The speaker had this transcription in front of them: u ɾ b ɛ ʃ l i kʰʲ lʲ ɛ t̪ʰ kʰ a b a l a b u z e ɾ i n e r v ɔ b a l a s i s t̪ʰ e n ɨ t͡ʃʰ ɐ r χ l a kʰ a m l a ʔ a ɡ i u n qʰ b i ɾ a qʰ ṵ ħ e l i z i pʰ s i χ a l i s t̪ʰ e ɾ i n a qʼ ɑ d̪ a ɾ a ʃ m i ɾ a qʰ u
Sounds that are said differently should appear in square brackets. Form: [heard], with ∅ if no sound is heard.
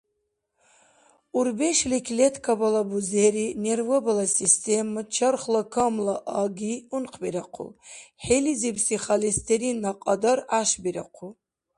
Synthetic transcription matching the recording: u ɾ b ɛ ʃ l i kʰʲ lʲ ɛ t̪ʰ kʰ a b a l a b u z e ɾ i n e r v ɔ b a l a s i s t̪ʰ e [m] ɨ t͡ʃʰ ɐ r χ l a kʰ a m l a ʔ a ɡ i u n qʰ b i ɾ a qʰ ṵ ħ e l i z i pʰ s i χ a l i s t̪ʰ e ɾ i n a qʼ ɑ d̪ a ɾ a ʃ [b] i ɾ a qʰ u